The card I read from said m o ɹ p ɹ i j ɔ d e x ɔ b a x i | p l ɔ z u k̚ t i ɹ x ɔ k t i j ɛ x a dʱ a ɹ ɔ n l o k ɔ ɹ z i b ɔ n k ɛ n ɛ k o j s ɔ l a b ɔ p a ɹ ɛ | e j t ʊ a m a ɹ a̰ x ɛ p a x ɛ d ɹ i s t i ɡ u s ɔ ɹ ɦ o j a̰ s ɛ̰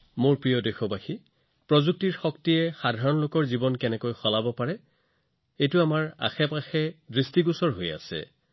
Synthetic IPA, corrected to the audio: m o ɹ p ɹ i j ɔ d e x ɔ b a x i | p ɹ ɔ z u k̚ t i ɹ x ɔ k t i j ɛ x a dʱ a ɹ ɔ n l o k ɔ ɹ z i b ɔ n k ɛ n ɛ k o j x ɔ l a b ɔ p a ɹ ɛ | e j t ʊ a m a ɹ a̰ x ɛ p a x ɛ d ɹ i s t i ɡ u s ɔ ɹ ɦ o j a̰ s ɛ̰

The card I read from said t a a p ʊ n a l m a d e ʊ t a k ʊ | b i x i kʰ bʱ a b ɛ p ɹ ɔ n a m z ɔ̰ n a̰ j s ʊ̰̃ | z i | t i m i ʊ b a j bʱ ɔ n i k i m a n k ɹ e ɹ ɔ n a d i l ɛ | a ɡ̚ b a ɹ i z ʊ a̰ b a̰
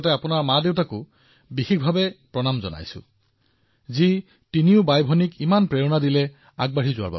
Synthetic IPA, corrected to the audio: t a a p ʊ n a ɹ m a d e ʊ t a k ʊ | b i x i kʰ bʱ a b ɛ p ɹ ɔ n a m z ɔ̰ n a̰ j s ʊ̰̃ | z i | t i n i ʊ b a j bʱ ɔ n i k i m a n p ɹ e ɹ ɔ n a d i l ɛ | a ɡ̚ b a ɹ i z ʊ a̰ b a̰

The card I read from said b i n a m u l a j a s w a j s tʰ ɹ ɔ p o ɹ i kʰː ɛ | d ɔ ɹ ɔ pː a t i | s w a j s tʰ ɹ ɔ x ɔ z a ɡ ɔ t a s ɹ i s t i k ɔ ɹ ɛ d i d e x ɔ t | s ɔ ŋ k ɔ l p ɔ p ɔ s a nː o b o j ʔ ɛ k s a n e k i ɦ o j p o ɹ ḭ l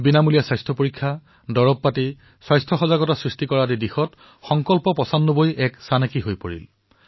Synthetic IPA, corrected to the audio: b i n a m u l i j a s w a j s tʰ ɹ ɔ p o ɹ i kʰː a | d ɔ ɹ ɔ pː a t i | s w a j s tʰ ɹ ɔ x ɔ z a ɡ ɔ t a s ɹ i s t i k ɔ ɹ a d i d i x ɔ t | x ɔ ŋ k ɔ l p ɔ p ɔ s a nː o b o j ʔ ɛ k s a n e k i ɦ o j p o ɹ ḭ l

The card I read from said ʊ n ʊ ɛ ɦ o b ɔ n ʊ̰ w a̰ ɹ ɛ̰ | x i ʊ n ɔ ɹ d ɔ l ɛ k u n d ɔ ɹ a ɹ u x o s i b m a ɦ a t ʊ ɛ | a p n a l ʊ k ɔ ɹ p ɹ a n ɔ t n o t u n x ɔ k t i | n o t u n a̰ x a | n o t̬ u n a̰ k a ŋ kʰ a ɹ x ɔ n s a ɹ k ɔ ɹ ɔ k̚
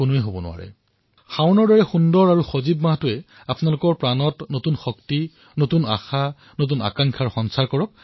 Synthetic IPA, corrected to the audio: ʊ n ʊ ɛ ɦ o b ɔ n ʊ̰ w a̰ ɹ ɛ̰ | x a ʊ n ɔ ɹ d ɔ ɹ ɛ x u n d ɔ ɹ a ɹ u x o z i b m a ɦ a t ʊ ɛ | a p n a l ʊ k ɔ ɹ p ɹ a n ɔ t n o t u n x ɔ k t i | n o t u n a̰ x a | n o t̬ u n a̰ k a ŋ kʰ a ɹ x ɔ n s a ɹ k ɔ ɹ ɔ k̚

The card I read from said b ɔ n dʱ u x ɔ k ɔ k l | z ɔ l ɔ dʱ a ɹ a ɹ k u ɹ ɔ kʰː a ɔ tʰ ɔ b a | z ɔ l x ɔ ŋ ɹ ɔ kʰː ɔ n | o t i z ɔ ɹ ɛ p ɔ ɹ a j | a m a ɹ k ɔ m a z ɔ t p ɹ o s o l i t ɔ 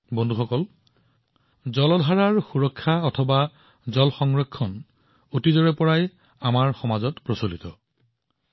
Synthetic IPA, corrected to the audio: b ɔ n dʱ u x ɔ k ɔ l | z ɔ l ɔ dʱ a ɹ a ɹ x u ɹ ɔ kʰː a ɔ tʰ ɔ b a | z ɔ l x ɔ ŋ ɹ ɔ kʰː ɔ n | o t i z ɔ ɹ ɛ p ɔ ɹ a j | a m a ɹ x ɔ m a z ɔ t p ɹ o s o l i t ɔ

